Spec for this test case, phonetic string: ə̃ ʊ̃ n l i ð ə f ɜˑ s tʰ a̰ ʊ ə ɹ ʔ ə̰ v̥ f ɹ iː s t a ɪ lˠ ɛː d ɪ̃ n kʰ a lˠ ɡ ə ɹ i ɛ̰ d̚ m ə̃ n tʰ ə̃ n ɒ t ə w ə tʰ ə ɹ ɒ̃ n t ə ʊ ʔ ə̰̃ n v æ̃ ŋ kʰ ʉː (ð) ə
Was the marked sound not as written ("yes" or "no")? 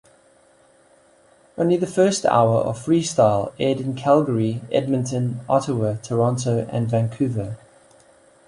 yes